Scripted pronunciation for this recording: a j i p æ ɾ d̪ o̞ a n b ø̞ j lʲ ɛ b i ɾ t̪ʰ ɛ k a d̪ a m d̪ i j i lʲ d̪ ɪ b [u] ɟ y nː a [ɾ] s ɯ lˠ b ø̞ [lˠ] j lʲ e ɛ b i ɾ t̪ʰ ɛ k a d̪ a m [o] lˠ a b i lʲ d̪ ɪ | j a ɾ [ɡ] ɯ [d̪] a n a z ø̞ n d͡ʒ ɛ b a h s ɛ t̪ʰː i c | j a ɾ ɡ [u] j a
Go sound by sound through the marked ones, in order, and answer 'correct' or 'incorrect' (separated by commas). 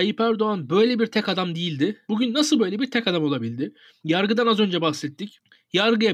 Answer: correct, incorrect, incorrect, correct, correct, correct, incorrect